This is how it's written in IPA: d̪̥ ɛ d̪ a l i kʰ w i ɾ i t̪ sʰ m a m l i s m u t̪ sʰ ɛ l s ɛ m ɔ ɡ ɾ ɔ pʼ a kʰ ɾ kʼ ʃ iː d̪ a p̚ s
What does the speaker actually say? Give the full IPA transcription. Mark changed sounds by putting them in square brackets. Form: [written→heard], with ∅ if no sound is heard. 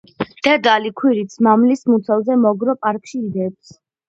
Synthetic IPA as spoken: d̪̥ ɛ d̪ a l i kʰ w i ɾ i t̪ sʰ m a m l i s m u t̪ sʰ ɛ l [s→z] ɛ m ɔ ɡ ɾ ɔ pʼ a [kʰ→∅] ɾ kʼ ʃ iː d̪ [a→ɛ] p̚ s